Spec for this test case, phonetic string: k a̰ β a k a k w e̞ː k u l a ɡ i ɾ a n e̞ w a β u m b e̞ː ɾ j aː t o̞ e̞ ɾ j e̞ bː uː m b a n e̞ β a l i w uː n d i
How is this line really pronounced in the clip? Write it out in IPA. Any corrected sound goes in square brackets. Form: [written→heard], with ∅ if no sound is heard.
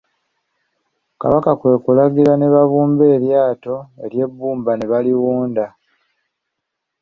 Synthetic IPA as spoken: k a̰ β a k a k w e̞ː k u l a ɡ i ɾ a n e̞ [w→β] a β [u→uː] m b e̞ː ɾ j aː t o̞ e̞ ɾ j e̞ bː uː m b a n e̞ β a l i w uː n d [i→a]